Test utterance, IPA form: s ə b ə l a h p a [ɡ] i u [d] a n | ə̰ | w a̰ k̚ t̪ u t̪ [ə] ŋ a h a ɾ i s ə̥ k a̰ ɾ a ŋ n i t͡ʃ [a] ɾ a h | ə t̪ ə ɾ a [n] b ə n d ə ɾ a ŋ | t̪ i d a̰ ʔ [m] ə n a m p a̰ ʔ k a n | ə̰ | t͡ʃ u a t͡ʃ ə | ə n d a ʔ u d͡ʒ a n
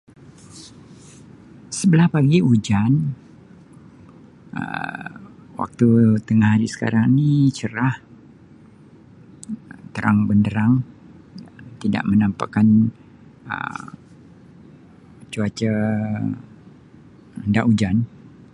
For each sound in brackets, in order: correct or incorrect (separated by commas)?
correct, incorrect, correct, incorrect, incorrect, correct